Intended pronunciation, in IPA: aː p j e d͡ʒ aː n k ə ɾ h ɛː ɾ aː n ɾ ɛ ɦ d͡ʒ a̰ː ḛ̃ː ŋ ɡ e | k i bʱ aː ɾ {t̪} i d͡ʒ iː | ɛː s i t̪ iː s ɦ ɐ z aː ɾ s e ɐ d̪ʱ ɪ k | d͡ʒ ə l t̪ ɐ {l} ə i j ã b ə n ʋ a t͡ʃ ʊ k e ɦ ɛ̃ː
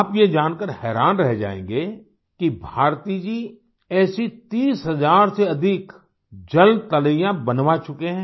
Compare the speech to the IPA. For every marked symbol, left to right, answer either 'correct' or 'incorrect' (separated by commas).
correct, correct